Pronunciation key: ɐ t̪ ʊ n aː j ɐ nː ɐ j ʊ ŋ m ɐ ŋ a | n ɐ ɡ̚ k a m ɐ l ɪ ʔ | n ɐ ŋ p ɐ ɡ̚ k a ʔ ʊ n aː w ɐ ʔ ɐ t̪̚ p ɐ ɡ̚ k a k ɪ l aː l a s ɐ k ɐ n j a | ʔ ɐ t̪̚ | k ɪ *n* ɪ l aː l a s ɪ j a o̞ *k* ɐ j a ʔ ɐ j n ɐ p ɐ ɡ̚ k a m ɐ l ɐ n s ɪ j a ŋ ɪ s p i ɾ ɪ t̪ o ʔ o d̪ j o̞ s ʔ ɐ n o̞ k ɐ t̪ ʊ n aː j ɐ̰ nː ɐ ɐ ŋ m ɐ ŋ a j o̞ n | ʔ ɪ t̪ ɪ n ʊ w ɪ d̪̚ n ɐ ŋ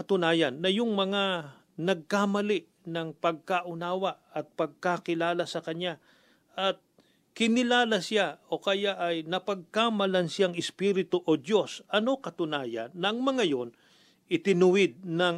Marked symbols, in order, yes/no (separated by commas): yes, yes